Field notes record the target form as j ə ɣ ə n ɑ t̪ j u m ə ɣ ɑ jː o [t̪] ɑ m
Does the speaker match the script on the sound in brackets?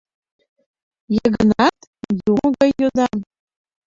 no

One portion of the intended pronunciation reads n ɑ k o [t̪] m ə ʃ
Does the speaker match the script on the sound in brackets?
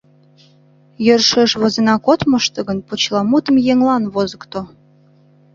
yes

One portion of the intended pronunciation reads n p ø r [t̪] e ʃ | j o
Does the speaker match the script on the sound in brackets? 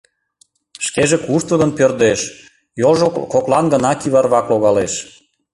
no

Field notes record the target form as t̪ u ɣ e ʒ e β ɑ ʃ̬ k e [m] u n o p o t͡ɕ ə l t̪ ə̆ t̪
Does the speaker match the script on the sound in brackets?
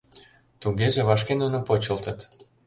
no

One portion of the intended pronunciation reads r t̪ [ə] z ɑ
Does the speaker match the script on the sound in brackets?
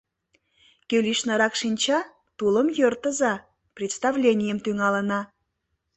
yes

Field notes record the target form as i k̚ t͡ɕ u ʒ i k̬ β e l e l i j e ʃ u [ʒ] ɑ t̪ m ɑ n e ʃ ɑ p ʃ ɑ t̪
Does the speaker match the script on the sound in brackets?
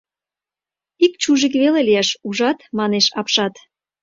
yes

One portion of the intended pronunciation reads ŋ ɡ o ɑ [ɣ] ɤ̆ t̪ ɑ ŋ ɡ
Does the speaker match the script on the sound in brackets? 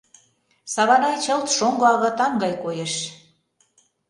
yes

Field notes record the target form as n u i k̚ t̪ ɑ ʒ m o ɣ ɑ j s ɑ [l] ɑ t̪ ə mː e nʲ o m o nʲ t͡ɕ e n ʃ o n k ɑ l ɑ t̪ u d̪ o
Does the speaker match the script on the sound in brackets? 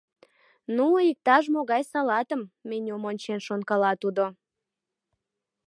yes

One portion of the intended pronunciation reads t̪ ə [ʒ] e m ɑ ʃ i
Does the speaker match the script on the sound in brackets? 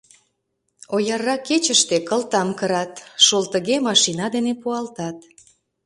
no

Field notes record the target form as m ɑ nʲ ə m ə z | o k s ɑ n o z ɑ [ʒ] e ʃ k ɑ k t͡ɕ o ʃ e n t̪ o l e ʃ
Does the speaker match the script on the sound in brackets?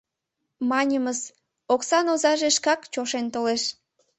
yes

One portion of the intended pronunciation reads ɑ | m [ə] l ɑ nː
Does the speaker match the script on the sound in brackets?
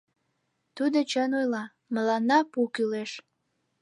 yes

